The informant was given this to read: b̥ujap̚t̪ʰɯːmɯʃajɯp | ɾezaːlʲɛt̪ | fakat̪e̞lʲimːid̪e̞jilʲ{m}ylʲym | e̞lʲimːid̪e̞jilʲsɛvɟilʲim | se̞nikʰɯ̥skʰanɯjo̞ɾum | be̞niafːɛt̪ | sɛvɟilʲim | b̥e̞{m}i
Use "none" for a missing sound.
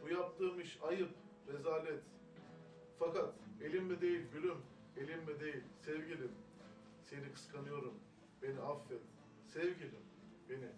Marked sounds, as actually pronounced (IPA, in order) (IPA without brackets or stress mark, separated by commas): b, n